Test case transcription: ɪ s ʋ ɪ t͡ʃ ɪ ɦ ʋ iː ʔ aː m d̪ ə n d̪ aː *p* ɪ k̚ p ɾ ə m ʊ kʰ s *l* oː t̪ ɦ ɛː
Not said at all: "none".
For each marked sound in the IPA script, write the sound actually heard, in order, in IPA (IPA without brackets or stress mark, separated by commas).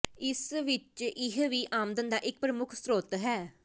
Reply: ʔ, ɾ